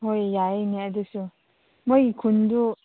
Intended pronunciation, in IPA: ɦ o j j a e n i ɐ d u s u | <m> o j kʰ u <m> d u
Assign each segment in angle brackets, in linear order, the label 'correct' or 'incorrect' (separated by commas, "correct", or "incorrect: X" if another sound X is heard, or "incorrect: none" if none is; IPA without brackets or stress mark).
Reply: correct, incorrect: n